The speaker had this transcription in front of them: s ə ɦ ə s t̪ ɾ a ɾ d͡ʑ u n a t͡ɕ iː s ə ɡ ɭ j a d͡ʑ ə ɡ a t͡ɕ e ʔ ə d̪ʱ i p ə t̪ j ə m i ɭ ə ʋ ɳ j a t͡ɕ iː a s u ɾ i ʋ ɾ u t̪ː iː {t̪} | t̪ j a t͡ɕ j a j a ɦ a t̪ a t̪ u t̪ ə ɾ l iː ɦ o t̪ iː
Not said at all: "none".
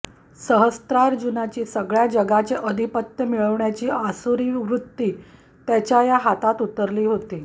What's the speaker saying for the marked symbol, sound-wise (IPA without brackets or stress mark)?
none